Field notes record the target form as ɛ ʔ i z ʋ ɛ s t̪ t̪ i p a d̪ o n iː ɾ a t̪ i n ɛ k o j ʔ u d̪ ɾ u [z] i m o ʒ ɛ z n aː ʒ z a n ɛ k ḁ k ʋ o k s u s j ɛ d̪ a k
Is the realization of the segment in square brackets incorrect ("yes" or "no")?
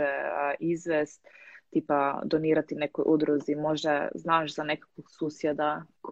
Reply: no